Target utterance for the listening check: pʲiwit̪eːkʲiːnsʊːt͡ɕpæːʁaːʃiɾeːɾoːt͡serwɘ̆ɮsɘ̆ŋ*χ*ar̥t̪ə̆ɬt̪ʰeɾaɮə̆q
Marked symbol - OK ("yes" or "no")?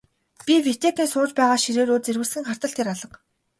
yes